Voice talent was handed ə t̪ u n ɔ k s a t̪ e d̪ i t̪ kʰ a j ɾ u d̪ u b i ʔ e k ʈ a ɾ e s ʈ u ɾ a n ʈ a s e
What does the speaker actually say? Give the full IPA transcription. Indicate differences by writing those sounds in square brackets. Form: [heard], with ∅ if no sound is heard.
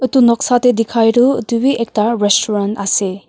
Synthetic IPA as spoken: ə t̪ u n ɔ k s a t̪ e d̪ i [∅] kʰ a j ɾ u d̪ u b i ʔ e k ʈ a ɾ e s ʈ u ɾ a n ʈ a s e